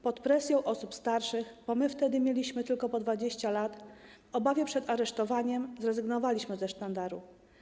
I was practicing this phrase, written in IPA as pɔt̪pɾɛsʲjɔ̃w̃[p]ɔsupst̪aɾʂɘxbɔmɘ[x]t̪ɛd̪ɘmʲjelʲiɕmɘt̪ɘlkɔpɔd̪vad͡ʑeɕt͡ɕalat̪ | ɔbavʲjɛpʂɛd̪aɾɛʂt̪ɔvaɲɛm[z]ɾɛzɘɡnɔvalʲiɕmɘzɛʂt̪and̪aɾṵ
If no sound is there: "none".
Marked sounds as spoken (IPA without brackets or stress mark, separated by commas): ʔ, f, z